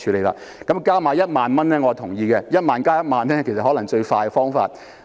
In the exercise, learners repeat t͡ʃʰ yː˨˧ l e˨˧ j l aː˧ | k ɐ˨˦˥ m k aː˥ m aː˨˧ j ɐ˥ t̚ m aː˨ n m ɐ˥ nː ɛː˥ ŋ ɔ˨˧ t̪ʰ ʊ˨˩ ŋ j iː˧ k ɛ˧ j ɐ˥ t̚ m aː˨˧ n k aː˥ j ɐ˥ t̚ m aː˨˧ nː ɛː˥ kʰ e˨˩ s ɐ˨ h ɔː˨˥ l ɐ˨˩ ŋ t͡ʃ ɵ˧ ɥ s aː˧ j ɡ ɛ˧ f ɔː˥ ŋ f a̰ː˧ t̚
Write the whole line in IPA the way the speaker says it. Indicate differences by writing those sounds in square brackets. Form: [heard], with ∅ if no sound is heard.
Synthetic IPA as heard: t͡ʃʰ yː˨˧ l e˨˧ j l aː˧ | k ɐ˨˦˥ m k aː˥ m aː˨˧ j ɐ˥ t̚ m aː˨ n m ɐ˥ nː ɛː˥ ŋ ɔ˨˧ t̪ʰ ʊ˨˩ ŋ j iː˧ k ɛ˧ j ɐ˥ t̚ m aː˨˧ n k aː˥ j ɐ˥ t̚ m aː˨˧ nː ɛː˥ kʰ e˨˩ s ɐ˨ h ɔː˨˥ l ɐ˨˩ ŋ t͡ʃ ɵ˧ ɥ [f] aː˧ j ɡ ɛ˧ f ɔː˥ ŋ f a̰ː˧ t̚